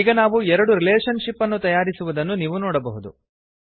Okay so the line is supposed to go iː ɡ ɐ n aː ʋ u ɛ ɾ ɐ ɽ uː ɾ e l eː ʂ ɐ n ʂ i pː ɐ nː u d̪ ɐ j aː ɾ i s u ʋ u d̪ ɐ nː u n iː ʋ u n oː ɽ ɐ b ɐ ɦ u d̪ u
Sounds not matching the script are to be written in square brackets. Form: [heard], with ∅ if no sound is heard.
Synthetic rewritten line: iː ɡ ɐ n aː ʋ u ɛ ɾ ɐ ɽ [u] ɾ [i] l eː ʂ ɐ n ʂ i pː ɐ nː u [t̪] ɐ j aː ɾ i s u ʋ u d̪ ɐ nː u n iː ʋ u n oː ɽ ɐ b ɐ ɦ u d̪ u